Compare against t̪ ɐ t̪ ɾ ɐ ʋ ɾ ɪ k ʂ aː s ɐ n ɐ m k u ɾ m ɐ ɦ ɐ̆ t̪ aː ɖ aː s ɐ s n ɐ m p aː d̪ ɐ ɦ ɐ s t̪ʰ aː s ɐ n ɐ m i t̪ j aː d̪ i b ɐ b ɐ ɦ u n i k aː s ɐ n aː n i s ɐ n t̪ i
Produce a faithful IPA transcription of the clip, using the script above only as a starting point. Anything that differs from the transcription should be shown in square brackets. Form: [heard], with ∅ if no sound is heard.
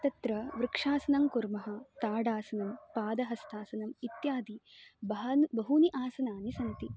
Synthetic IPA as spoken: t̪ ɐ t̪ ɾ ɐ ʋ ɾ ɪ k ʂ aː s ɐ n ɐ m k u ɾ m ɐ ɦ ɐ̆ t̪ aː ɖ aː s ɐ [∅] n ɐ m p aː d̪ ɐ ɦ ɐ s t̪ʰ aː s ɐ n ɐ m i t̪ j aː d̪ i b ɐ b ɐ ɦ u n i [ʔ] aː s ɐ n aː n i s ɐ n t̪ i